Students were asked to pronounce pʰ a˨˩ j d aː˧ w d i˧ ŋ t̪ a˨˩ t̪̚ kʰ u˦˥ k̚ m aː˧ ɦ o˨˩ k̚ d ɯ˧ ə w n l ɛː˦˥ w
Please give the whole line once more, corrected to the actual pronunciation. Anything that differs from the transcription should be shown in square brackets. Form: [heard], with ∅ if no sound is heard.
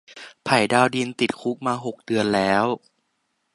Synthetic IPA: pʰ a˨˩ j d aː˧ w d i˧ [n] t̪ [i˨˩] t̪̚ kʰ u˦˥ k̚ m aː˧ ɦ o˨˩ k̚ d ɯ˧ ə [∅] n l ɛː˦˥ w

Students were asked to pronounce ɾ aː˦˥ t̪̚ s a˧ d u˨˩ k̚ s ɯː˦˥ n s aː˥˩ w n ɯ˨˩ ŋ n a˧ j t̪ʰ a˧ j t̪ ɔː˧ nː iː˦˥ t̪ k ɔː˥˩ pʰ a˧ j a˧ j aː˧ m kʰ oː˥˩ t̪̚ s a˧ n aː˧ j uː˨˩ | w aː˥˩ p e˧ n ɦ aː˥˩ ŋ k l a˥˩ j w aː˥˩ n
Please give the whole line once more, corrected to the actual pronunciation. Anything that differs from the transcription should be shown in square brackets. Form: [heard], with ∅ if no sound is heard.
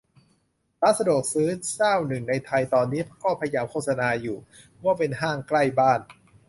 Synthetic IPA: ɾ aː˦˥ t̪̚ s a˧ d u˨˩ k̚ s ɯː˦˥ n s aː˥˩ w n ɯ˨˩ ŋ n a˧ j t̪ʰ a˧ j t̪ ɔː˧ nː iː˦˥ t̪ k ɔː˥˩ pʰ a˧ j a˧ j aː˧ m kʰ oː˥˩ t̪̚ s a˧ n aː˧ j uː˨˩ | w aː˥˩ p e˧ n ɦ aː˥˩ ŋ k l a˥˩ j [b] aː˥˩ n

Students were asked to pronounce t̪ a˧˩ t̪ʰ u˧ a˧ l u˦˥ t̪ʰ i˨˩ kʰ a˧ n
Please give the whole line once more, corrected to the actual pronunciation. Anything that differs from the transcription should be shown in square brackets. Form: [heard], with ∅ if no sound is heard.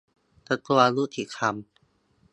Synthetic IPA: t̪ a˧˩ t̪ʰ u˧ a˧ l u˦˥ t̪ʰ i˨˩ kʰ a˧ [m]

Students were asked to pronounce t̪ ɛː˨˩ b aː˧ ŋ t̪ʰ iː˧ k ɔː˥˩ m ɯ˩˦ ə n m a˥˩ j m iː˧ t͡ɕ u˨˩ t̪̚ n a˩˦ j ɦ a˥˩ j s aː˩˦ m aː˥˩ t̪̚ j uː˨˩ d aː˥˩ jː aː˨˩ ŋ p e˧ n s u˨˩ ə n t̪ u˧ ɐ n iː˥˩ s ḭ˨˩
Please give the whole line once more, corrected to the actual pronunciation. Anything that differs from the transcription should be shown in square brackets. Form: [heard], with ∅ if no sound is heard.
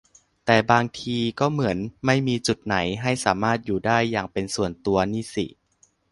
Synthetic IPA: t̪ ɛː˨˩ b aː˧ ŋ t̪ʰ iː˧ k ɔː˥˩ m ɯ˩˦ ə n m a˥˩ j m iː˧ t͡ɕ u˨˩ t̪̚ n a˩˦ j ɦ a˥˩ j s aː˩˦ m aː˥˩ t̪̚ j uː˨˩ d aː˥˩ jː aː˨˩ ŋ p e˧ n s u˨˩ ə n t̪ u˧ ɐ n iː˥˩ s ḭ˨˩

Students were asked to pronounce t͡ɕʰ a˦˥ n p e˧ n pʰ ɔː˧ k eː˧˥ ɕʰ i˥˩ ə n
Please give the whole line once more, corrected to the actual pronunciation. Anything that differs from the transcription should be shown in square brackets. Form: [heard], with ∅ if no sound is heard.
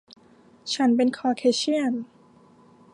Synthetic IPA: t͡ɕʰ a˦˥ n p e˧ n [kʰ] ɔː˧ [kʰ] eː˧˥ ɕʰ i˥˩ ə n

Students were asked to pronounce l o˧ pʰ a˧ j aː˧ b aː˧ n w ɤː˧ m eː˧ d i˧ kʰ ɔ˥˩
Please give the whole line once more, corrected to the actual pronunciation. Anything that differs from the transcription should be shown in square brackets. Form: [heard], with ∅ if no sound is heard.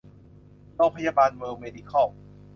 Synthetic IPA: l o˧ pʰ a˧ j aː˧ b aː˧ n w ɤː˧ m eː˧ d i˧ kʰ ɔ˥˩

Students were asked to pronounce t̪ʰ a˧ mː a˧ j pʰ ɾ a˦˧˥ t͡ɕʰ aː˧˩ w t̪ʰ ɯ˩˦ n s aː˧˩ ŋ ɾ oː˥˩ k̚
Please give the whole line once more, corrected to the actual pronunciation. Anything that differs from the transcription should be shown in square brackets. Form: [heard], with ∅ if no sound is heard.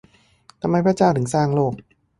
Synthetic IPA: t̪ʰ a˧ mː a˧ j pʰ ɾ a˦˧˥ [t͡ɕ] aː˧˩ w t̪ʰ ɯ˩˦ [ŋ] s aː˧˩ ŋ [l] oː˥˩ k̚

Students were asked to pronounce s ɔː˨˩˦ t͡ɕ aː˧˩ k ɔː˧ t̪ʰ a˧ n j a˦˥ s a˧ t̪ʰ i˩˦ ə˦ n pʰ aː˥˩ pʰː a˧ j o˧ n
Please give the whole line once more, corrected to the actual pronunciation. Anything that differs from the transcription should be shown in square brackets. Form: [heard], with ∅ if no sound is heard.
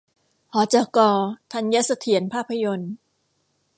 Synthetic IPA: [h] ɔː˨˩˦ t͡ɕ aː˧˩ k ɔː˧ t̪ʰ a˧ n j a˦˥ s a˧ t̪ʰ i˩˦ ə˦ n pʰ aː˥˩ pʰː a˧ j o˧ n

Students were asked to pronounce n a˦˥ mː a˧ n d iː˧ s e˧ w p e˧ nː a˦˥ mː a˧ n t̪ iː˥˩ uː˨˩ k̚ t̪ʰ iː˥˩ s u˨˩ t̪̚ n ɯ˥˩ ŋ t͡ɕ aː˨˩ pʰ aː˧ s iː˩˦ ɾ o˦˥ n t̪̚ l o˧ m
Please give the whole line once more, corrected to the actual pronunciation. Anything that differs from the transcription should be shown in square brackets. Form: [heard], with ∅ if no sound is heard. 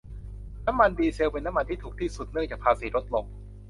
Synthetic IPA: n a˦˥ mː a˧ n d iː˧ s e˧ w p e˧ nː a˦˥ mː a˧ n t̪ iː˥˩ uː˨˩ k̚ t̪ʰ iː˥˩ s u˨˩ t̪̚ n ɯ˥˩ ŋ t͡ɕ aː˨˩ pʰ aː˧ s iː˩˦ ɾ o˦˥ [∅] t̪̚ l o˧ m

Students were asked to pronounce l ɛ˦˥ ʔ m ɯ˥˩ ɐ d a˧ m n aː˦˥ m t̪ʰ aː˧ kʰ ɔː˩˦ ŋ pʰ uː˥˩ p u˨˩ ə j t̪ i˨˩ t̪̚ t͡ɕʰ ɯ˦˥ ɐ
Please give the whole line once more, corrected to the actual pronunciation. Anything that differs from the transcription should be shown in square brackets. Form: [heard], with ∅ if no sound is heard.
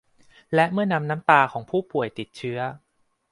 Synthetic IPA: l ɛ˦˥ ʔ m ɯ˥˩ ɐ [n] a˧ m n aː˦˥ m [t̪] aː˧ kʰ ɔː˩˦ ŋ pʰ uː˥˩ p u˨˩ ə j t̪ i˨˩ t̪̚ t͡ɕʰ ɯ˦˥ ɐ

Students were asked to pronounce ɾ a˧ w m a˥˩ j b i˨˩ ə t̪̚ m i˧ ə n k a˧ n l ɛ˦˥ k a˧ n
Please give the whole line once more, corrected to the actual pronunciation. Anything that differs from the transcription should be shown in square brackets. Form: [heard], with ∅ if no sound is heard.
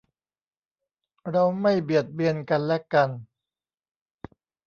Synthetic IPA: ɾ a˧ w m a˥˩ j b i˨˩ ə t̪̚ [b] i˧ ə n k a˧ n l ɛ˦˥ k a˧ n

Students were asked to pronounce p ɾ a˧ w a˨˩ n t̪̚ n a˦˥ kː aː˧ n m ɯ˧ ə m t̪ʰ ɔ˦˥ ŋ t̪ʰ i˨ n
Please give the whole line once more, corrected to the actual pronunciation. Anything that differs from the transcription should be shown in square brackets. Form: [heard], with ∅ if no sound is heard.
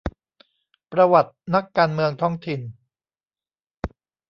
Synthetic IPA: p ɾ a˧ w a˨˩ [∅] t̪̚ n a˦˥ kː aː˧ n m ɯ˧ ə [ŋ] t̪ʰ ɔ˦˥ ŋ t̪ʰ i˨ n

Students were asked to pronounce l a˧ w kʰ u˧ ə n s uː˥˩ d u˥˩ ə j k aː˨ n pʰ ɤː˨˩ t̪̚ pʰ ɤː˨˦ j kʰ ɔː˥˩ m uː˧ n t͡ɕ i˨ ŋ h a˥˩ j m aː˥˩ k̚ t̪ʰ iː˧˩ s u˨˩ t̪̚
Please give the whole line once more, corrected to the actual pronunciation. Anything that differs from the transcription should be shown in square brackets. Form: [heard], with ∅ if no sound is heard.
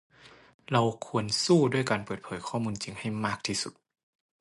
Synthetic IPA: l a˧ w kʰ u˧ ə n s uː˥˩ d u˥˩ ə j k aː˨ n [p] ɤː˨˩ t̪̚ pʰ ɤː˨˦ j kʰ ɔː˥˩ m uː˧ n t͡ɕ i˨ ŋ h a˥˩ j m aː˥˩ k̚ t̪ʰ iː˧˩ s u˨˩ t̪̚

